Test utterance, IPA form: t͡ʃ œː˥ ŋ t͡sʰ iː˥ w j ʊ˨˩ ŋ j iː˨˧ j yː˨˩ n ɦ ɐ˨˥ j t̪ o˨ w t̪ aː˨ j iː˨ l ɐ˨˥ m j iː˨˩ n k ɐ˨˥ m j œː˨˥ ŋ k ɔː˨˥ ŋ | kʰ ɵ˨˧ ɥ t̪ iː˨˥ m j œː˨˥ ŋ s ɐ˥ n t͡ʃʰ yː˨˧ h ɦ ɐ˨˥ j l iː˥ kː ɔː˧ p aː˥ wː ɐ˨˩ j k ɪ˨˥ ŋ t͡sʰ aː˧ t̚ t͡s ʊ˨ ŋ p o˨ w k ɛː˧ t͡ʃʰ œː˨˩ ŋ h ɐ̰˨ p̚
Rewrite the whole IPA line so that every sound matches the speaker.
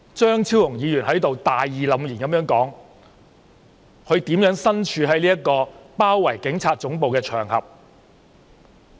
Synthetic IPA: t͡ʃ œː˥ ŋ t͡sʰ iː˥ w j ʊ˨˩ ŋ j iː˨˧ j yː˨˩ n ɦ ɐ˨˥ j t̪ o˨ w t̪ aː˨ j iː˨ l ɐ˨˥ m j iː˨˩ n k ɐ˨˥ m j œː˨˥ ŋ k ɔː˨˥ ŋ | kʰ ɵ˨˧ ɥ t̪ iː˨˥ m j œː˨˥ ŋ s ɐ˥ n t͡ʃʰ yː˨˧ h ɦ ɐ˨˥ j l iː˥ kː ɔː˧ p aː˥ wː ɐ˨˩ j k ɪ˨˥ ŋ t͡sʰ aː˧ t̚ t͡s ʊ˨˥ ŋ p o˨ w k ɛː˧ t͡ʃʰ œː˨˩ ŋ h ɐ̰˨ p̚